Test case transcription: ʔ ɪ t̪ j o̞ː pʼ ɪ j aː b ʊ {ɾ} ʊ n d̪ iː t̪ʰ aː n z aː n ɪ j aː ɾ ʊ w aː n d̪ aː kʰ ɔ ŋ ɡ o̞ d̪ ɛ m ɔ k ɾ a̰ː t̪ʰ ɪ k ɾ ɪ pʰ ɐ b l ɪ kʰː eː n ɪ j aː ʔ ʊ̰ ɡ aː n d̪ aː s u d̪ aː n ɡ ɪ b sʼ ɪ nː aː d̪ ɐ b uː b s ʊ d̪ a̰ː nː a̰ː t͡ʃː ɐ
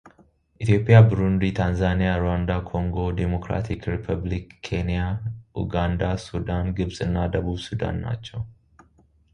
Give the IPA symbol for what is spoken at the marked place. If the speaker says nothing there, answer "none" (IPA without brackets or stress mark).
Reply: ɾ